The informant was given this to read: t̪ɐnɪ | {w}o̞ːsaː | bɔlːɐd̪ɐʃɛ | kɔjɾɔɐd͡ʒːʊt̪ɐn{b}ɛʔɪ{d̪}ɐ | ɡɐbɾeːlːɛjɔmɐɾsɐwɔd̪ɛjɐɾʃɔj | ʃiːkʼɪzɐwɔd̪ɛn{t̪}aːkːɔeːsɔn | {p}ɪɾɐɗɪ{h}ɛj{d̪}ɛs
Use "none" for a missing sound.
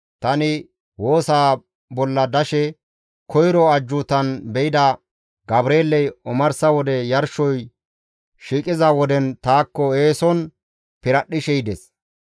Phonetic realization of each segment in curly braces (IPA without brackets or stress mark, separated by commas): w, b, d̪, t̪, p, ʃ, d̪